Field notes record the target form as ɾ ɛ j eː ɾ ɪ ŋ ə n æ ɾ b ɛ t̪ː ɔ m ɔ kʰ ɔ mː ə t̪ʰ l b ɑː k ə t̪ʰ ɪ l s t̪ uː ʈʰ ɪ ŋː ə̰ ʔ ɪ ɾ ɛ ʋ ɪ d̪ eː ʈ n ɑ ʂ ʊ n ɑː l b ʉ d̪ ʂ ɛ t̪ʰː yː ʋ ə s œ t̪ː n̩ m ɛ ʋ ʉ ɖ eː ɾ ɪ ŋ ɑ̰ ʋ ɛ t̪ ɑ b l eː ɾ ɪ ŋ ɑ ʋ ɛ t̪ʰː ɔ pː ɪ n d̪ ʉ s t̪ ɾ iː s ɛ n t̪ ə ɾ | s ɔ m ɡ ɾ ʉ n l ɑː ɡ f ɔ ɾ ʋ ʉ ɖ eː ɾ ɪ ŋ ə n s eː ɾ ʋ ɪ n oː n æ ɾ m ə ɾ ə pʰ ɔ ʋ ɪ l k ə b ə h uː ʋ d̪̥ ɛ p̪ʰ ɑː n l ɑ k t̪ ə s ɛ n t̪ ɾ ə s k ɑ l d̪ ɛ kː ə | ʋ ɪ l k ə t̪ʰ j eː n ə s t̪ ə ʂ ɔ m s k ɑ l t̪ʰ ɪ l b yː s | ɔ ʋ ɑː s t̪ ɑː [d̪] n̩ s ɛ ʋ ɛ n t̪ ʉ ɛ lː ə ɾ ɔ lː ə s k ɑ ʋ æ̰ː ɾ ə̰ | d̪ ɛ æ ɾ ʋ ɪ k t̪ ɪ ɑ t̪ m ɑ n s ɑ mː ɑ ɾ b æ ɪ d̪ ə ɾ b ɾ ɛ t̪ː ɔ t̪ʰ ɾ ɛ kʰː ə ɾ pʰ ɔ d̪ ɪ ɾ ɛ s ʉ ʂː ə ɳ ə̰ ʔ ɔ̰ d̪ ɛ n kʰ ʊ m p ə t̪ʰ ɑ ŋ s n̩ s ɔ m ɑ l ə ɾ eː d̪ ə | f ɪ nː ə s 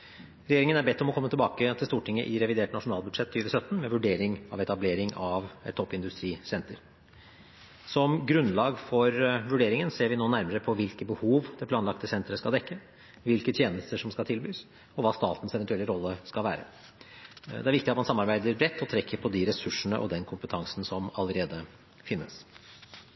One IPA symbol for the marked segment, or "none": t̪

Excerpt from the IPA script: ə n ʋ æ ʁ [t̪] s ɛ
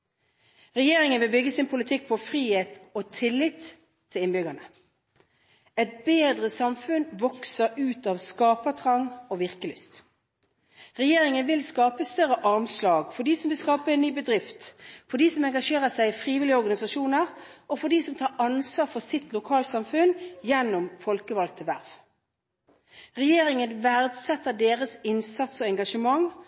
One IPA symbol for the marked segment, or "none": d̪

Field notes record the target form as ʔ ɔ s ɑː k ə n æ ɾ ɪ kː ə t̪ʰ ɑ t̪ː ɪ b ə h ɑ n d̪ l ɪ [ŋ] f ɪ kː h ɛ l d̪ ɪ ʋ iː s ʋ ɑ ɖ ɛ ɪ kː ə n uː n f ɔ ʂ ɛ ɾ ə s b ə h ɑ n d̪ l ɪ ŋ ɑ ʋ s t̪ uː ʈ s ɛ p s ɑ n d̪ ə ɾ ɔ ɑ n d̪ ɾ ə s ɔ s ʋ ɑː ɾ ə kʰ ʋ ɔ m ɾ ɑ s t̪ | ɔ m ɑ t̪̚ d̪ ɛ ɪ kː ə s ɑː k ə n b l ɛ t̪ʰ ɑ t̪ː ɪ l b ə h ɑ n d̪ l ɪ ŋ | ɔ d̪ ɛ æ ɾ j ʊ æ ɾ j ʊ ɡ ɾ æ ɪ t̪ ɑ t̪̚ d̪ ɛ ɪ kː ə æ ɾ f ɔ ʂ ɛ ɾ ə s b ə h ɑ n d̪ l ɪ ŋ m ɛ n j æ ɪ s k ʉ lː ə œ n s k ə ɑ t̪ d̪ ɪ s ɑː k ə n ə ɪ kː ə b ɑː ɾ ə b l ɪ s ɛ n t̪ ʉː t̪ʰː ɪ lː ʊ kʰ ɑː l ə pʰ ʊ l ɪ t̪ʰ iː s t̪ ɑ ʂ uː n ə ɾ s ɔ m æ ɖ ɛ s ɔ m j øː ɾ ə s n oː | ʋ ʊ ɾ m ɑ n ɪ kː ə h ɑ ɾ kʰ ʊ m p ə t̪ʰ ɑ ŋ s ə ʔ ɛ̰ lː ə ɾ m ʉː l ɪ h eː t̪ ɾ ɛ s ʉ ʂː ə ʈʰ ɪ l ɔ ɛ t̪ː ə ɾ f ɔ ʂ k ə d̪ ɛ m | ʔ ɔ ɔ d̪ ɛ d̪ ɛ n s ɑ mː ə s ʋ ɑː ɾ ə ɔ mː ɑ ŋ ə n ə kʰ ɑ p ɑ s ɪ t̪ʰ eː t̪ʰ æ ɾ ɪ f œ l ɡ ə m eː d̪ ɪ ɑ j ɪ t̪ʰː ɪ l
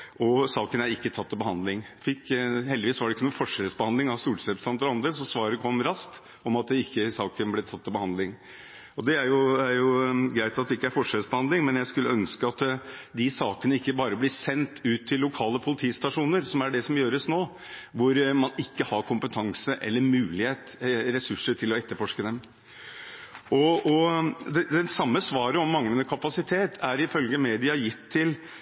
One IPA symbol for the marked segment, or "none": ŋ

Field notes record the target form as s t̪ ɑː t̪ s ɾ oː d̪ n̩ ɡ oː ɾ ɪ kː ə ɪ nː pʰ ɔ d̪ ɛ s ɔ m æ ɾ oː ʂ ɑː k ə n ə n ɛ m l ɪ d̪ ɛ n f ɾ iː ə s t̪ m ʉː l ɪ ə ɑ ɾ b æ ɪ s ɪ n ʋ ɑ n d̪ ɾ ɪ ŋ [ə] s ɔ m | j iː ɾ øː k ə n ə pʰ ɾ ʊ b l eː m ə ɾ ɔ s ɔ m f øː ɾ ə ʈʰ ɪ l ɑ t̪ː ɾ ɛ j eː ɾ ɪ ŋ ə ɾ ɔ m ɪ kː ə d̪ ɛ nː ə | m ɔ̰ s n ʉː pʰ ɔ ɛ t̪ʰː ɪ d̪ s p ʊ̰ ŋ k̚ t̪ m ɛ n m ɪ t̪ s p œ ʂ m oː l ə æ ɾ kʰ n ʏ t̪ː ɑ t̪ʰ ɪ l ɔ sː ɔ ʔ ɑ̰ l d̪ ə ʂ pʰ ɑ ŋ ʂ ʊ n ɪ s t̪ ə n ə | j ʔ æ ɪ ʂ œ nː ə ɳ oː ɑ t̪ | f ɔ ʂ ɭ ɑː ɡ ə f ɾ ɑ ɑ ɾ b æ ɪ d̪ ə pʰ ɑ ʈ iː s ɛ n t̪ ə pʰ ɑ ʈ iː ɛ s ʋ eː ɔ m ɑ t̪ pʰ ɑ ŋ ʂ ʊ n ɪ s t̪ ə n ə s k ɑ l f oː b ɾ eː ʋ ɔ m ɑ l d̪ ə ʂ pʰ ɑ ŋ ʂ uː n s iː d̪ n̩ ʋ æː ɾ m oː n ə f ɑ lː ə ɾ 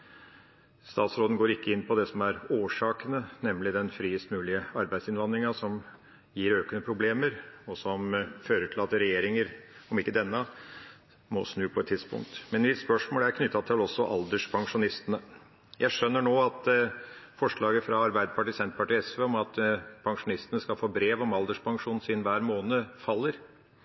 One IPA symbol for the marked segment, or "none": ɑ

